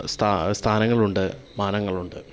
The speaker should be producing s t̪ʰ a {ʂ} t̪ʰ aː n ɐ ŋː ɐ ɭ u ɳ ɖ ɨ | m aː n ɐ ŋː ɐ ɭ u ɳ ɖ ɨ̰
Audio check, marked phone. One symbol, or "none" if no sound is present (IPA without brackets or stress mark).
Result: s